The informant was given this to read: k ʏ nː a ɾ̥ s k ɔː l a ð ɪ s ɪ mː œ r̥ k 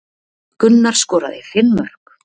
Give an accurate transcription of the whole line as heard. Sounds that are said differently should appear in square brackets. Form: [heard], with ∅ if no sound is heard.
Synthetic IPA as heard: k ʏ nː a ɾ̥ s k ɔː [ɾ] a ð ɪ [f] ɪ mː œ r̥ k